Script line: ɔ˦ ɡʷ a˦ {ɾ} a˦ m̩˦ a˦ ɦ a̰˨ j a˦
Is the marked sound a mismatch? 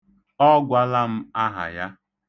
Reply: yes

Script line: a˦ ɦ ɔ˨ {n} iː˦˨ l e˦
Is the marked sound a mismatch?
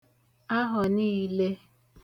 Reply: no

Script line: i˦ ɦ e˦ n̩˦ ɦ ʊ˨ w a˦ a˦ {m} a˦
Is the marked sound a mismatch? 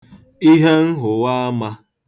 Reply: no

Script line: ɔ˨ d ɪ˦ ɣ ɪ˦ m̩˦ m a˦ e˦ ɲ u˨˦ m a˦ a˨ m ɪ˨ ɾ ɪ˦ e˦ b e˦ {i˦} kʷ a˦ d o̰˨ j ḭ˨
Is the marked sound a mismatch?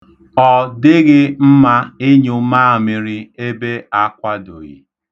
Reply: yes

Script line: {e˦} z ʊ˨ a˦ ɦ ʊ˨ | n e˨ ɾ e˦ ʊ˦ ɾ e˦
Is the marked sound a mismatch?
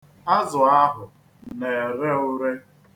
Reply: yes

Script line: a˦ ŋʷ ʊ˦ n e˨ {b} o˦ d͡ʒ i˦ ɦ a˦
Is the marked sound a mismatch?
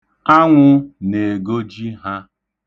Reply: yes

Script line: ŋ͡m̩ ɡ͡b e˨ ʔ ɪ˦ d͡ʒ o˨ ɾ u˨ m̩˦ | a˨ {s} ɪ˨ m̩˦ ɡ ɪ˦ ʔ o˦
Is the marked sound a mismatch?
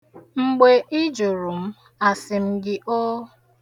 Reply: no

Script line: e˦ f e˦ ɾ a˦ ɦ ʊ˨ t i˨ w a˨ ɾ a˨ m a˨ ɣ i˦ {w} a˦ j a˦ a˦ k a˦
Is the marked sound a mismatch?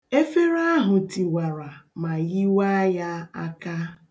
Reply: no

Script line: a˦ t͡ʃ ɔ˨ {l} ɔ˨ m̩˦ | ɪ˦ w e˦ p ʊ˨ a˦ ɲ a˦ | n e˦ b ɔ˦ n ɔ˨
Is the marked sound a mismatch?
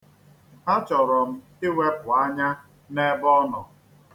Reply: yes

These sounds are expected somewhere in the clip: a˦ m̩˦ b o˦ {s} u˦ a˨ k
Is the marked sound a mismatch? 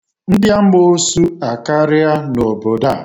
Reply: no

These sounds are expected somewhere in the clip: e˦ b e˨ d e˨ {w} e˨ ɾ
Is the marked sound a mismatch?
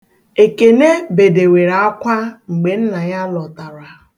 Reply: no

